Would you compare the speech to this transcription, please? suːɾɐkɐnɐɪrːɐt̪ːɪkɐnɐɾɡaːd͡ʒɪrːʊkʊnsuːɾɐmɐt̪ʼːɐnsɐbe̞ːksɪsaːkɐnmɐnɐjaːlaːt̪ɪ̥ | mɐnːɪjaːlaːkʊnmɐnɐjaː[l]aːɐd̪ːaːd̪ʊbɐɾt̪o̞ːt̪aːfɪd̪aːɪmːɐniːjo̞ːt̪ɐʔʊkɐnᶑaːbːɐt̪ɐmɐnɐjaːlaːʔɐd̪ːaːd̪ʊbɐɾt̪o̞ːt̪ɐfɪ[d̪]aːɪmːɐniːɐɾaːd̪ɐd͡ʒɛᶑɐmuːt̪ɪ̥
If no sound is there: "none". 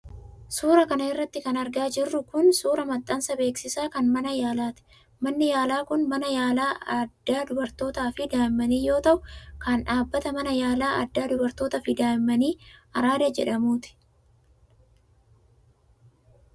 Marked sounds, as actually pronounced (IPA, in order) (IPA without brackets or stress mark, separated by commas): l, d̪